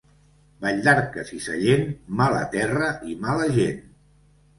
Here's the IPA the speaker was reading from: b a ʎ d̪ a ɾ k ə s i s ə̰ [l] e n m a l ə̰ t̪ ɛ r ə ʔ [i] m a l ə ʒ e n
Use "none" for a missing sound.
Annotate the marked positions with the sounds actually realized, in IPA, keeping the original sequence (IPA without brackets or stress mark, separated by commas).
ʎ, i